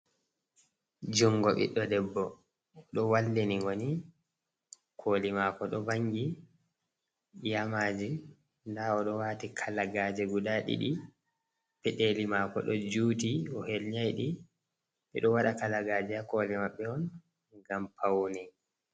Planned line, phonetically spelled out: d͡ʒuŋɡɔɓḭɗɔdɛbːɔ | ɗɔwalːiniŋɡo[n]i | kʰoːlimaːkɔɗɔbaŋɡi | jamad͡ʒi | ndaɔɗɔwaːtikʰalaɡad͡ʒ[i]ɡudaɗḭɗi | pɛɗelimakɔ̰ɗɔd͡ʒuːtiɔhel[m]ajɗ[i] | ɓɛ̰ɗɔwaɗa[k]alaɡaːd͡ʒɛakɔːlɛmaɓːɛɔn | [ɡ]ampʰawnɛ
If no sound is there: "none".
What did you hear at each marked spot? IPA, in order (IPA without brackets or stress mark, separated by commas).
n, ɛ, ɲ, i, k, ɡ